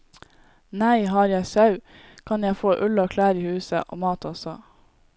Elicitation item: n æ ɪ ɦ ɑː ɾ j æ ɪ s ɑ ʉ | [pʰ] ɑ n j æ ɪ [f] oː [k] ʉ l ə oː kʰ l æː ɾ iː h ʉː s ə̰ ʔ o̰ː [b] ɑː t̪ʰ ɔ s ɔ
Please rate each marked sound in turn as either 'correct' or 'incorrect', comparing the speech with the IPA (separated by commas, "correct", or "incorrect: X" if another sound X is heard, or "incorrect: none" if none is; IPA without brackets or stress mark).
incorrect: kʰ, correct, incorrect: ʔ, incorrect: m